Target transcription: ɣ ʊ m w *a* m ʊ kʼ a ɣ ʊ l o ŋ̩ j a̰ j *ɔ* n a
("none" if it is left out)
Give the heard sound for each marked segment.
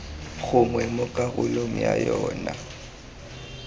ɛ, ɔː

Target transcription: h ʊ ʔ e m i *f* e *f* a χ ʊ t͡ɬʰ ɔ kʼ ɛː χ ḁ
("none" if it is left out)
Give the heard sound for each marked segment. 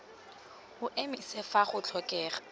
s, f

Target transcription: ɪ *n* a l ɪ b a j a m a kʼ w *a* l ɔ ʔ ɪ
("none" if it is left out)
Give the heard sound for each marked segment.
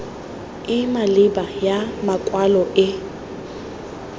m, a

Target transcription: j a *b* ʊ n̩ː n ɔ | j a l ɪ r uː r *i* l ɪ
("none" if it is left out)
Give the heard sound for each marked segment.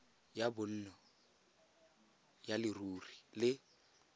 b, i

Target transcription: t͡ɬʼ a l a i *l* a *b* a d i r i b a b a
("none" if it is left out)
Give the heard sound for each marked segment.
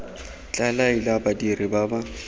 l, b

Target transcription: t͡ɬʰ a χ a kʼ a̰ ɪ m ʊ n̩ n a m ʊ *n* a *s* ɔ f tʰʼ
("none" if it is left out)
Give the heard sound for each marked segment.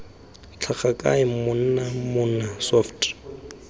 n, s

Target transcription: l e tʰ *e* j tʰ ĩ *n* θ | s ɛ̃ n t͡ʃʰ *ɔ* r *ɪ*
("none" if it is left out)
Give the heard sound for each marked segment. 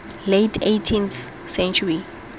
e, n, u, i

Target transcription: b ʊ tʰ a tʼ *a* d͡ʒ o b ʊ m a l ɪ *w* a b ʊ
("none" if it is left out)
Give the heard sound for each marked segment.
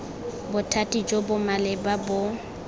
i, b

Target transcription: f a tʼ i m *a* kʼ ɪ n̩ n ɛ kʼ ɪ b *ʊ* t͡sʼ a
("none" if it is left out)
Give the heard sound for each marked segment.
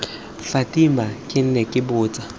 a, ʊː

